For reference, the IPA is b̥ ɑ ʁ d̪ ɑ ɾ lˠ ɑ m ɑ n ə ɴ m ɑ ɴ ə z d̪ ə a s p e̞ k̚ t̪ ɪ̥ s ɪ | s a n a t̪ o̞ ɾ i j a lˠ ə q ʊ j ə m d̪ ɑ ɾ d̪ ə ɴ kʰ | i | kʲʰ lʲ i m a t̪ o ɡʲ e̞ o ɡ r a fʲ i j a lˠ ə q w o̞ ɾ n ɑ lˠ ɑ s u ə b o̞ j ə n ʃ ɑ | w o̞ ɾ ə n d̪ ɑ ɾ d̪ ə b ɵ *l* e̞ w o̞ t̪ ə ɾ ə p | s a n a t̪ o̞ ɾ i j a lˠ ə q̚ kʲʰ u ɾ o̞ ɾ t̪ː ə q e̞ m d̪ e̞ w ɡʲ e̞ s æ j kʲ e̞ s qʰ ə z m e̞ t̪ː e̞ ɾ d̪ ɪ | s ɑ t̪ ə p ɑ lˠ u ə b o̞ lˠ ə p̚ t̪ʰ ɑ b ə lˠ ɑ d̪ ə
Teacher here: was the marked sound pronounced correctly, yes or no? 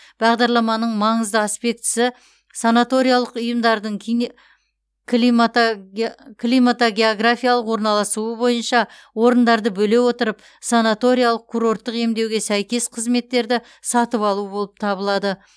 yes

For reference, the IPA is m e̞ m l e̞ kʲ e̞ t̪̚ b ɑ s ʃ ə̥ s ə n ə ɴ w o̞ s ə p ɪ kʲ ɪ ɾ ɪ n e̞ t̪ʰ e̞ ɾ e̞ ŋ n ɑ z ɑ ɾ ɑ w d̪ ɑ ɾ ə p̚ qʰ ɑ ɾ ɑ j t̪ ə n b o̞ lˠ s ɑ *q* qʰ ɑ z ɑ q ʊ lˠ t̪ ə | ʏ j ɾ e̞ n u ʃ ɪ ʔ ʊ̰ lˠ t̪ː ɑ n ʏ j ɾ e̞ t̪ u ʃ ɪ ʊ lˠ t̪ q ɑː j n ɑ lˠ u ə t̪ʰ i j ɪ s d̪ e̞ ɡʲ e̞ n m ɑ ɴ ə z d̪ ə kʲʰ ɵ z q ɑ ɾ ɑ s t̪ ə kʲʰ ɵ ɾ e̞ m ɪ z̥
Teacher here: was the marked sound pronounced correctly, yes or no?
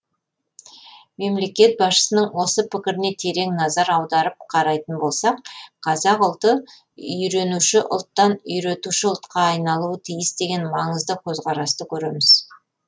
yes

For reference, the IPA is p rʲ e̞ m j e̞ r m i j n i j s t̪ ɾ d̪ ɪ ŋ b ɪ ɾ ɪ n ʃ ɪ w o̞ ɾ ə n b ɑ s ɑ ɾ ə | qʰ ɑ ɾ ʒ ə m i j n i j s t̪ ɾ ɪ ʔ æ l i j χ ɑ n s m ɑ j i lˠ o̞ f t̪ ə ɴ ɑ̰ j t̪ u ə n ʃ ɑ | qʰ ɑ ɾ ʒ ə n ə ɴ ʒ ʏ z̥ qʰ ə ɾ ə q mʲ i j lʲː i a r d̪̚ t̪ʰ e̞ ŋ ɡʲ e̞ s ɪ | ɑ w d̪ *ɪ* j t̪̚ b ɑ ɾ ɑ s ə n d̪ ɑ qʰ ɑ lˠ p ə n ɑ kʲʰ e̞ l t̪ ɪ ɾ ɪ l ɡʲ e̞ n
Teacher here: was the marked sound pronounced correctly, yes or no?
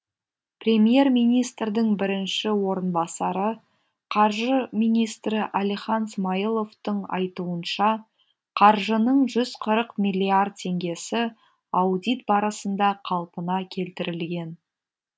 no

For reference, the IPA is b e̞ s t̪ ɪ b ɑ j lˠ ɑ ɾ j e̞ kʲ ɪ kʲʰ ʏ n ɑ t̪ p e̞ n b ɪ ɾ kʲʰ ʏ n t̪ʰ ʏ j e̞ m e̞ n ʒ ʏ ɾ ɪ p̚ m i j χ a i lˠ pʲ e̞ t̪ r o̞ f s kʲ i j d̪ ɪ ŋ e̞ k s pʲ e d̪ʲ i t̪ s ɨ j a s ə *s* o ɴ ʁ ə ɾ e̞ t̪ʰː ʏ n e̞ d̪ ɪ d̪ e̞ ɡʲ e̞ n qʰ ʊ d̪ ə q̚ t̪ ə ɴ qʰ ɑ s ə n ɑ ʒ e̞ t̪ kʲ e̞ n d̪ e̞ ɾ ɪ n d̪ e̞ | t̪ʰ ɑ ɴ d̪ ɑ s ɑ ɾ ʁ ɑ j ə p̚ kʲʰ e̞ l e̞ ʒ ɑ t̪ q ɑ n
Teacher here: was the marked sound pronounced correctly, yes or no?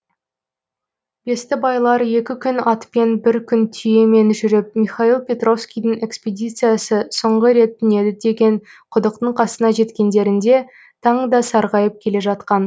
yes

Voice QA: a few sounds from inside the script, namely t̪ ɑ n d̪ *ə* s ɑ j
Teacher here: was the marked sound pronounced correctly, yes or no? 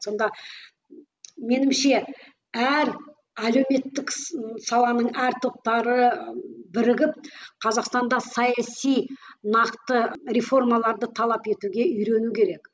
no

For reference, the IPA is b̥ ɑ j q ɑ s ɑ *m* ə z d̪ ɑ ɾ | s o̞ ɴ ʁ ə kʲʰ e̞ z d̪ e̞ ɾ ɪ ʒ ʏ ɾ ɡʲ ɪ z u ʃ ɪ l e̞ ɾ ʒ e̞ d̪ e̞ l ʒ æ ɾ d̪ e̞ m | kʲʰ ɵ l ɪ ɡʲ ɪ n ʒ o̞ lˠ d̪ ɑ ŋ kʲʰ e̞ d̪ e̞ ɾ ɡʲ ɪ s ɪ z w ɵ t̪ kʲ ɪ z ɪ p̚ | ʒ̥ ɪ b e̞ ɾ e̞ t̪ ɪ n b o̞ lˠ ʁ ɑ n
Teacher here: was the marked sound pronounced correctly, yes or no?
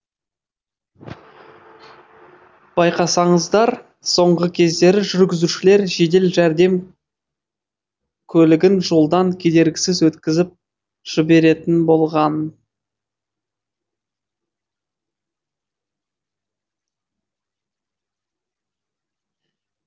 no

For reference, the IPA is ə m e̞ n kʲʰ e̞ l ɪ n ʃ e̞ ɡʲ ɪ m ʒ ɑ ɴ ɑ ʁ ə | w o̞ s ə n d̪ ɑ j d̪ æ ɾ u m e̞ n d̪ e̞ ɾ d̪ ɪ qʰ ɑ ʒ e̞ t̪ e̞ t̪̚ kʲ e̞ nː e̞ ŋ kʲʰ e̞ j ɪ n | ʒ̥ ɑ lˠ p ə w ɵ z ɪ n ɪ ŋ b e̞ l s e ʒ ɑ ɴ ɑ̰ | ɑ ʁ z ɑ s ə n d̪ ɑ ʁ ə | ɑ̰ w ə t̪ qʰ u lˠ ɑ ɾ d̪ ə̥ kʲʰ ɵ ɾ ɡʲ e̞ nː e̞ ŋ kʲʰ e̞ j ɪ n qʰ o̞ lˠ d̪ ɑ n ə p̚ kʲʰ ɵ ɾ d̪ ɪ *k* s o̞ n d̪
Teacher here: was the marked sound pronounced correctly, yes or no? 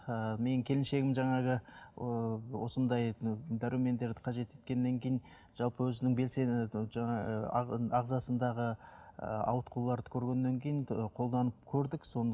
yes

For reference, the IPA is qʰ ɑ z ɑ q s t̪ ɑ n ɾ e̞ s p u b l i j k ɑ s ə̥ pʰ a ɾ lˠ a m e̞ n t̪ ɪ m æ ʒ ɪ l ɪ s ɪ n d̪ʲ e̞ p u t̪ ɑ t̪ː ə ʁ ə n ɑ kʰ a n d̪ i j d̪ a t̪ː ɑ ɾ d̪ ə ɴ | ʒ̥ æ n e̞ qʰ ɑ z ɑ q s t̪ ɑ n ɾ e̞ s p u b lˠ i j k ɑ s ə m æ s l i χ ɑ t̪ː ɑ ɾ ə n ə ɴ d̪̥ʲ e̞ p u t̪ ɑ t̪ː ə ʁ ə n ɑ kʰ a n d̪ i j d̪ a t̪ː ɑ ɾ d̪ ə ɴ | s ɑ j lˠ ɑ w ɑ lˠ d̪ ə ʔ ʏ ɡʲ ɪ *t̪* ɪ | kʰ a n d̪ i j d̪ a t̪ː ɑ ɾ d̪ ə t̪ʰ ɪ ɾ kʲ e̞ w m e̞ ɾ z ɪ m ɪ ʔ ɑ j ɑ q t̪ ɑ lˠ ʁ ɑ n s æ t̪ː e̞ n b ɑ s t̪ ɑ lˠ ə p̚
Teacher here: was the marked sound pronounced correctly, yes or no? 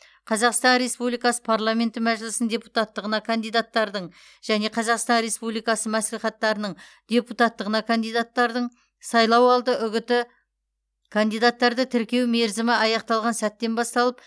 yes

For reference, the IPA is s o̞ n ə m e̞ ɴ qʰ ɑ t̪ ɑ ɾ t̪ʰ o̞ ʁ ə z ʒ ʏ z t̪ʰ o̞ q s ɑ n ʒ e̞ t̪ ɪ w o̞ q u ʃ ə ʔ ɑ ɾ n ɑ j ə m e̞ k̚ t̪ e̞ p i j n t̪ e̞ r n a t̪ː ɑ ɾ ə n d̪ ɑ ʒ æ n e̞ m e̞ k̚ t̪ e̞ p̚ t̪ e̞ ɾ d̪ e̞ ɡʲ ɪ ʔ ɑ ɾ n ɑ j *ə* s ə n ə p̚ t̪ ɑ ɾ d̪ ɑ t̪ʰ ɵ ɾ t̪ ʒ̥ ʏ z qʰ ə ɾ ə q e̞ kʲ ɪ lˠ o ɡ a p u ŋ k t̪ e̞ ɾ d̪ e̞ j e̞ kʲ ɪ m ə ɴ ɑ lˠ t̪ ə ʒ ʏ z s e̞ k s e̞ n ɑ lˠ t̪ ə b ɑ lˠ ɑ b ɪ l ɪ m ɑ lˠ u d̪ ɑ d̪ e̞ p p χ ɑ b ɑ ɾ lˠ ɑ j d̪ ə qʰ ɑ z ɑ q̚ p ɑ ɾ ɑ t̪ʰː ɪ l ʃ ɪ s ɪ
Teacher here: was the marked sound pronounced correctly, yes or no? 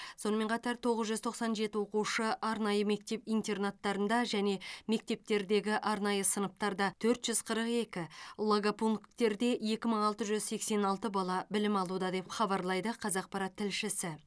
yes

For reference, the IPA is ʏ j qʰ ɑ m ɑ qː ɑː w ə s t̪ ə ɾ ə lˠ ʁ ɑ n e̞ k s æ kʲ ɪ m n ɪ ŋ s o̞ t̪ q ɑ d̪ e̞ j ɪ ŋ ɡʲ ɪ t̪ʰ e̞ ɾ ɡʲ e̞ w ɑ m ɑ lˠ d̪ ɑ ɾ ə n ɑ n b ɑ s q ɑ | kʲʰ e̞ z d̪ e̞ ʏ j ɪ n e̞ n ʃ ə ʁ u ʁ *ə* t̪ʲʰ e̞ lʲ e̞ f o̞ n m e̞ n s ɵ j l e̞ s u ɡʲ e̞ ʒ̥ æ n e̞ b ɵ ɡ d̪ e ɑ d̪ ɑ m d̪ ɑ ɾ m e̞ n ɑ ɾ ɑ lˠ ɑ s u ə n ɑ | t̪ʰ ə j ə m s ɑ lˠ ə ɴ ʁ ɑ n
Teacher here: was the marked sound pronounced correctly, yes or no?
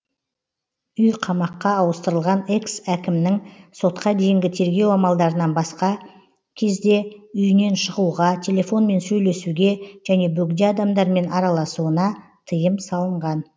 no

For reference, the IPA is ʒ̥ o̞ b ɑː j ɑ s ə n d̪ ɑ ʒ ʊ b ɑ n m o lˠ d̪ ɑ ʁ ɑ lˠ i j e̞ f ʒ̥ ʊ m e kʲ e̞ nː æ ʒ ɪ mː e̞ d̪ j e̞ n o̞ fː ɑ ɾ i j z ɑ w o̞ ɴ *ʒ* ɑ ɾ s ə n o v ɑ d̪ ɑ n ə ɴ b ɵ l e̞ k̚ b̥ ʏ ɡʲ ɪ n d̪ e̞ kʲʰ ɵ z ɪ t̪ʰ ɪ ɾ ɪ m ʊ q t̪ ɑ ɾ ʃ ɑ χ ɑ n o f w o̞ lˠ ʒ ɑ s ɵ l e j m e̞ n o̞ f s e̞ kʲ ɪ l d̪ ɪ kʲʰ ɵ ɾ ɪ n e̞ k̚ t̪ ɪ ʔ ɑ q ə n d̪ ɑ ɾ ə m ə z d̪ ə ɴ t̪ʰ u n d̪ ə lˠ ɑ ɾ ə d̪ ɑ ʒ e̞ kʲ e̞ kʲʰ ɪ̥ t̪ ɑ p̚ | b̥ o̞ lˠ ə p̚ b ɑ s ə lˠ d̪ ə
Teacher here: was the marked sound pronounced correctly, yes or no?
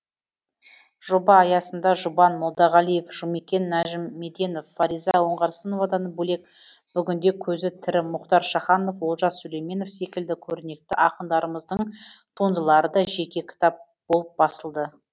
no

